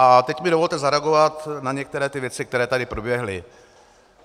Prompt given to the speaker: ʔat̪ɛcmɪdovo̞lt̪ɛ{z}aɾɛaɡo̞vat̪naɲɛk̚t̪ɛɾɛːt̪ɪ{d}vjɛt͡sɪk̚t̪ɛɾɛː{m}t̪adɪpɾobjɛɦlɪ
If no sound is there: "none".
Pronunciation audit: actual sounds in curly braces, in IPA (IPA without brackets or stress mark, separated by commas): z, none, none